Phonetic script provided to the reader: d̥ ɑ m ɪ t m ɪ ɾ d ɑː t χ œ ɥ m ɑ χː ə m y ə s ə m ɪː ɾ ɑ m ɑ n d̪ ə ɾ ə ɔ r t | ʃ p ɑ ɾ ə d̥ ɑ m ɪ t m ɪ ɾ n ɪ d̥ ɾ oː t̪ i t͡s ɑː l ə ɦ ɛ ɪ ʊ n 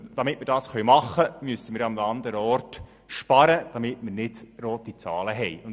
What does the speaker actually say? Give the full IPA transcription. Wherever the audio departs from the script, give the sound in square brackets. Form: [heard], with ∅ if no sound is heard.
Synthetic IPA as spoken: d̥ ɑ m ɪ t m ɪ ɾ d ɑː [s] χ œ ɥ m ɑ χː ə m y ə s ə m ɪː ɾ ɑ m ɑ n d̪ ə ɾ ə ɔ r t | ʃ p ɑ ɾ ə d̥ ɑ m ɪ t m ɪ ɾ n ɪ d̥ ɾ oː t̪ i t͡s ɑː l ə ɦ ɛ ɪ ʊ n